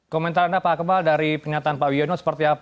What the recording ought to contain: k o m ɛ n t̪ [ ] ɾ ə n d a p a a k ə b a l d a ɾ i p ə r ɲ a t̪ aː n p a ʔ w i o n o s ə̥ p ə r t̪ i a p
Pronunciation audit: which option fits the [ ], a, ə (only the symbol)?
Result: a